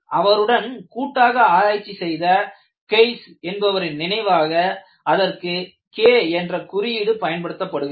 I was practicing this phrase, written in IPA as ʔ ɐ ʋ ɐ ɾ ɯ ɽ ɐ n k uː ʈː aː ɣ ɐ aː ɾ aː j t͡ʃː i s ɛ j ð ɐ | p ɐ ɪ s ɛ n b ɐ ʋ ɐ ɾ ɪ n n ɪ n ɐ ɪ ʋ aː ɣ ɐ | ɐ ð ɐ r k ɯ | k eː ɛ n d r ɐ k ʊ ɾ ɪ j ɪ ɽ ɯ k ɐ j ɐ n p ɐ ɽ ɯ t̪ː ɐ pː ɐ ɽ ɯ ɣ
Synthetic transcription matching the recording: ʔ ɐ ʋ ɐ ɾ ɯ ɽ ɐ n k uː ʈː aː ɣ ɐ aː ɾ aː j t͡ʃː i s ɛ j ð ɐ | k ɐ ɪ s ɛ n b ɐ ʋ ɐ ɾ ɪ n n ɪ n ɐ ɪ ʋ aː ɣ ɐ | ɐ ð ɐ r k ɯ | k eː ɛ n d r ɐ k ʊ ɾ ɪ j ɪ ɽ ɯ p ɐ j ɐ n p ɐ ɽ ɯ t̪ː ɐ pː ɐ ɽ ɯ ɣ